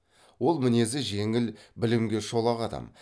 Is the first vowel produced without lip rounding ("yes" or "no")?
no